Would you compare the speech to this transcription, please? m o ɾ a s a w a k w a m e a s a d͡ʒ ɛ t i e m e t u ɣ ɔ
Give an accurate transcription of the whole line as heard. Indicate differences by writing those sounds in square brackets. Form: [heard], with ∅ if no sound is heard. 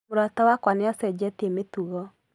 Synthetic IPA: m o ɾ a [t] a w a k w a [n] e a s [ɛ] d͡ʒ ɛ t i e m e t u ɣ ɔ